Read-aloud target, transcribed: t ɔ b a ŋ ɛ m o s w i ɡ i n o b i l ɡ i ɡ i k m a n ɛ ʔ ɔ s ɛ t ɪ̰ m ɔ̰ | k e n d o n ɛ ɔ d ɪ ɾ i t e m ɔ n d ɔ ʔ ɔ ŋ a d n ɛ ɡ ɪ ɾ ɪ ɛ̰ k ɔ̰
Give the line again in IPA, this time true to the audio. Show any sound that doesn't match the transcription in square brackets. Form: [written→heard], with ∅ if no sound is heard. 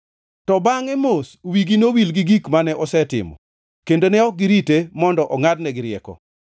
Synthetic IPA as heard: t ɔ b a ŋ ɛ m o s w i ɡ i n o [b→w] i l ɡ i ɡ i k m a n ɛ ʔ ɔ s ɛ t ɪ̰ m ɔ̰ | k e n d o n ɛ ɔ [d→ɡ] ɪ ɾ i t e m ɔ n d ɔ ʔ ɔ ŋ a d n ɛ ɡ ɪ ɾ ɪ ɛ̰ k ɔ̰